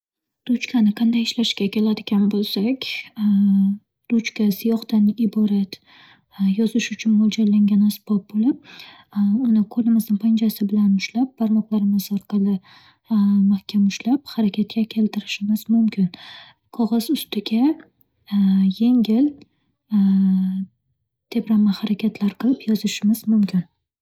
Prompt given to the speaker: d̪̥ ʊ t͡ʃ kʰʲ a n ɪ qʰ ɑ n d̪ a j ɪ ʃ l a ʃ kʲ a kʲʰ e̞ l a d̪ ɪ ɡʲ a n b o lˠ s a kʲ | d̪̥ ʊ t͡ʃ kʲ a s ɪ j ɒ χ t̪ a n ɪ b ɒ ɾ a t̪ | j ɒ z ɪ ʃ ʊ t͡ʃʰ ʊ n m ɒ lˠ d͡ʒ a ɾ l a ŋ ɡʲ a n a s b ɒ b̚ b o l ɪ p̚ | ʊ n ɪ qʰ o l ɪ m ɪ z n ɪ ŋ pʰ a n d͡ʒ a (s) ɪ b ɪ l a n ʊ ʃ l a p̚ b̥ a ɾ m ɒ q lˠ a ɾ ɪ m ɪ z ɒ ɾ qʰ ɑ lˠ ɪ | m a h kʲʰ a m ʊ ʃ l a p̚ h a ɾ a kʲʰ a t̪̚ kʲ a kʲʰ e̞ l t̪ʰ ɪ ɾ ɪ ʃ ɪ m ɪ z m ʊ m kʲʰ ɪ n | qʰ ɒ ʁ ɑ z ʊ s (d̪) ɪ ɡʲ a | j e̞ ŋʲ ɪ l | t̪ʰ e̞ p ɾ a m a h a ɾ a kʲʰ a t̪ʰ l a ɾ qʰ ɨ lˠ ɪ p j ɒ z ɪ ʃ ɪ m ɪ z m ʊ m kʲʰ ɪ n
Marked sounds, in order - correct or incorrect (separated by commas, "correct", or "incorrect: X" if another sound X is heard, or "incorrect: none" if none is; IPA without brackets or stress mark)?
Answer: correct, incorrect: t̪